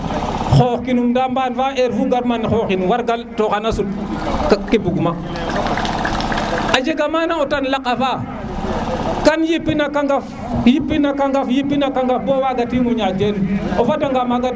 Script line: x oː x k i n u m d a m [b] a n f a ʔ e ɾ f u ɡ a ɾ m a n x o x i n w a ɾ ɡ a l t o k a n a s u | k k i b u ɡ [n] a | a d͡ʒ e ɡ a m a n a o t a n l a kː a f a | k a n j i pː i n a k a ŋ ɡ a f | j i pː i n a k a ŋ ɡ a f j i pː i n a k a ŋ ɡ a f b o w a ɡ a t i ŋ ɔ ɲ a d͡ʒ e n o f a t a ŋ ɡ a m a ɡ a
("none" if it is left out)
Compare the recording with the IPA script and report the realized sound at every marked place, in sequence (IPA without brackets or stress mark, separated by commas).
b, m